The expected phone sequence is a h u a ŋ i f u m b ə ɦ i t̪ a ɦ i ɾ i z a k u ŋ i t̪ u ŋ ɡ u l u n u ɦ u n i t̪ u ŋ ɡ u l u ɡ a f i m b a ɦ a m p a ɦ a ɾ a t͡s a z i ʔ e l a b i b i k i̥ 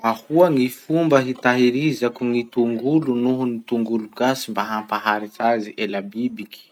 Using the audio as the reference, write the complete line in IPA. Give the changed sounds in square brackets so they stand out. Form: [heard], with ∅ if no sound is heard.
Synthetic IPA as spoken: a h u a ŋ i f u m b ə ɦ i t̪ a ɦ i ɾ i z a k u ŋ i t̪ u ŋ ɡ u l u n u ɦ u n i t̪ u ŋ ɡ u l u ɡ a [s] i m b a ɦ a m p a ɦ a ɾ [i] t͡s a z i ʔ e l a b i b i k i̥